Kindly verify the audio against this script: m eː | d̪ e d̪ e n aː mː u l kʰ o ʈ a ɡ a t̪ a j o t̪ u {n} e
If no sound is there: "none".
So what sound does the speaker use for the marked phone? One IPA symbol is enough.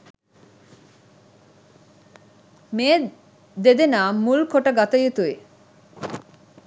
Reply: none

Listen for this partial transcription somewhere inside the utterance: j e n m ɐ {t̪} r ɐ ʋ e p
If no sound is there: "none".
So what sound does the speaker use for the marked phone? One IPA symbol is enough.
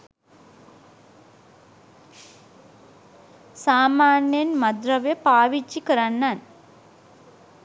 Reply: d̪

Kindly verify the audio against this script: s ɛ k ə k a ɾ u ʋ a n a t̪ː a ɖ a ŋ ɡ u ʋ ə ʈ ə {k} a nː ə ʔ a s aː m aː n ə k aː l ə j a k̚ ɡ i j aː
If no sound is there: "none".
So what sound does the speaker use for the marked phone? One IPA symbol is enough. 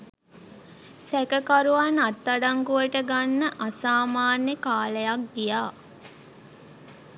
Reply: ɡ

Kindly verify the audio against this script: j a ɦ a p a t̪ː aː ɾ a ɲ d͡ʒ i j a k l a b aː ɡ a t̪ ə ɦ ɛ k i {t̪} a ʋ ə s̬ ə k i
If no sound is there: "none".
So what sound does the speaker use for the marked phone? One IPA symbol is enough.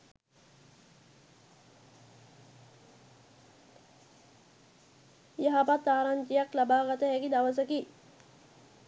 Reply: d̪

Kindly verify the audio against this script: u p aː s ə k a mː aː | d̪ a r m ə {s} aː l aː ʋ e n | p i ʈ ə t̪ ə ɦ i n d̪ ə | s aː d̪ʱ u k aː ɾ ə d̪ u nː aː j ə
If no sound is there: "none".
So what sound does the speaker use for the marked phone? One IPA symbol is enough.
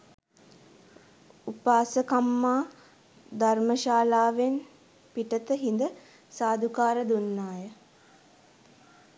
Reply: ʃ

